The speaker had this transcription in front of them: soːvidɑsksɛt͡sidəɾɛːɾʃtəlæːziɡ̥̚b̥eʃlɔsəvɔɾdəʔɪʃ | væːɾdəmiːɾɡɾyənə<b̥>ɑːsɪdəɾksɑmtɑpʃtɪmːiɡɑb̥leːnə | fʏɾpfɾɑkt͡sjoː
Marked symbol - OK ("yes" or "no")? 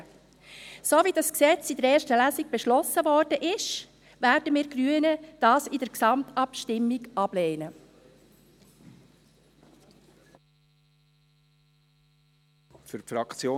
no